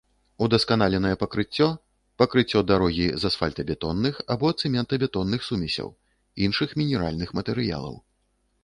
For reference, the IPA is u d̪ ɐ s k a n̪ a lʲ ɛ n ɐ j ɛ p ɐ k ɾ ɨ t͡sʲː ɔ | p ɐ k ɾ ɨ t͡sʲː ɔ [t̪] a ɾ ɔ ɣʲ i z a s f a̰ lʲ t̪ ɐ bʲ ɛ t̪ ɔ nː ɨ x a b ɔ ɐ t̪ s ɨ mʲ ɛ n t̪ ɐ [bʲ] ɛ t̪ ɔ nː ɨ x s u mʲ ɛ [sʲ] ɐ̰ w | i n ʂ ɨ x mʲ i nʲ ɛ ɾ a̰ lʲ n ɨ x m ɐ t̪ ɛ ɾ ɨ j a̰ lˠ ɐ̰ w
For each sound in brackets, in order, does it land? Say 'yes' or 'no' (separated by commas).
no, yes, yes